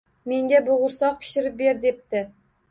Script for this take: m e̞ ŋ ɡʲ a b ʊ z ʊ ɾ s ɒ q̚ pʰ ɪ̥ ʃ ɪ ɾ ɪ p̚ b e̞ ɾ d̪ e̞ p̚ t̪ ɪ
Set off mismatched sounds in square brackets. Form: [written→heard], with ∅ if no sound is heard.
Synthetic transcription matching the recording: m e̞ ŋ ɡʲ a b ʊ [z→ʁ] ʊ ɾ s ɒ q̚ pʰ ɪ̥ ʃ ɪ ɾ ɪ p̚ b e̞ ɾ d̪ e̞ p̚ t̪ ɪ